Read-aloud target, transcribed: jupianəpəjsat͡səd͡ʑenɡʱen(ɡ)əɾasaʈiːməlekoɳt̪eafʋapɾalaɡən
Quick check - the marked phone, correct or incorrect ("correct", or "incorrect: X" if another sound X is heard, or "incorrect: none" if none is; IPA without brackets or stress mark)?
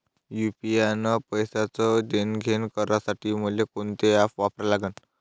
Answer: incorrect: k